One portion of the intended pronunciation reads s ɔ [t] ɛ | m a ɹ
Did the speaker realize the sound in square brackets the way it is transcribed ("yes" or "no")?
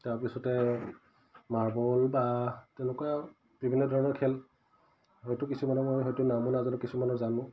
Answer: yes